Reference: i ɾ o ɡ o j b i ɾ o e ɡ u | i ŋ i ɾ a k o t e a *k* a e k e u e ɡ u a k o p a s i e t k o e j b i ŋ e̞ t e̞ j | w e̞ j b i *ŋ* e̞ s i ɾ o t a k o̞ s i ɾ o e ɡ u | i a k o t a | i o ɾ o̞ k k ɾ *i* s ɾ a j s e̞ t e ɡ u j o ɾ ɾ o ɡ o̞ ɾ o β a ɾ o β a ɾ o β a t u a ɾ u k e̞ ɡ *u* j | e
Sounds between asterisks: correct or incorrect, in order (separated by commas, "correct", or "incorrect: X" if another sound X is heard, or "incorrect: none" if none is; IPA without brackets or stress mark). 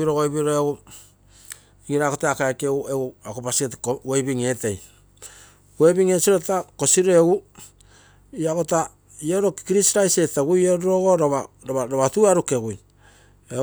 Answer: correct, correct, correct, correct